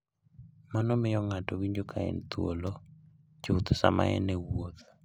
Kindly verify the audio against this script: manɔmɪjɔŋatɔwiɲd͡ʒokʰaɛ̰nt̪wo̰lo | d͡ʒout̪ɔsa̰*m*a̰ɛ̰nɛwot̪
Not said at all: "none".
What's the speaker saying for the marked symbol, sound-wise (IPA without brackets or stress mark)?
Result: m